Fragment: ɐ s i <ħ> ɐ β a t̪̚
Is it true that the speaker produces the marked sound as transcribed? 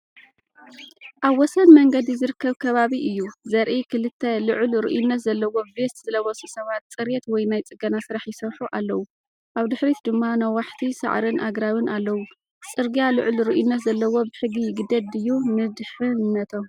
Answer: no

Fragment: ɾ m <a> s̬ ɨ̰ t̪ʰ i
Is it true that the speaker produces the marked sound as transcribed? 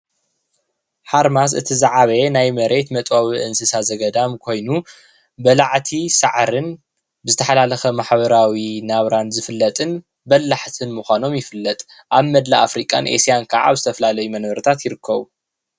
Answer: yes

